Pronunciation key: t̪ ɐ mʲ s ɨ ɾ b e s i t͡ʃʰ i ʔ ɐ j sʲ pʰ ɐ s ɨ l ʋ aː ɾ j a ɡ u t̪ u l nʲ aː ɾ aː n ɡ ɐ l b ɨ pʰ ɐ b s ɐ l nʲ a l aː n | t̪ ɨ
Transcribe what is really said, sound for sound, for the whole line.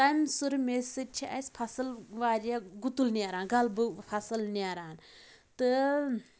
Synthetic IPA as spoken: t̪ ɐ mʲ s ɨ ɾ m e s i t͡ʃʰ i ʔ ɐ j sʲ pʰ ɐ s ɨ l ʋ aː ɾ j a ɡ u t̪ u l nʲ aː ɾ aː n ɡ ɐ l b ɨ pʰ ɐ s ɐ l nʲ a ɾ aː n | t̪ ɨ